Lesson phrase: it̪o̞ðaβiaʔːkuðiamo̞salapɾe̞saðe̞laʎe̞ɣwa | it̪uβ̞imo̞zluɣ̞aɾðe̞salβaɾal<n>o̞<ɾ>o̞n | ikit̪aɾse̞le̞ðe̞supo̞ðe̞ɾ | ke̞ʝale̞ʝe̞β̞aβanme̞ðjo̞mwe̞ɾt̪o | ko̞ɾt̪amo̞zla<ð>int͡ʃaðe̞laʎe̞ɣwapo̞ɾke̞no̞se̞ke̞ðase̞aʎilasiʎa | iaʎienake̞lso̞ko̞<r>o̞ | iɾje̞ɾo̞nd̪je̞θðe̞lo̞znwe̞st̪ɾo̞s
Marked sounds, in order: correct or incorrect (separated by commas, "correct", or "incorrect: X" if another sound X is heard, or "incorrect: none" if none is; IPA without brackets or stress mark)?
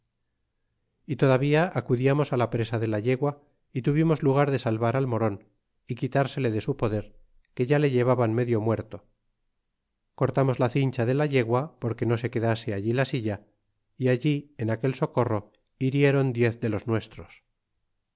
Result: incorrect: m, correct, incorrect: θ, correct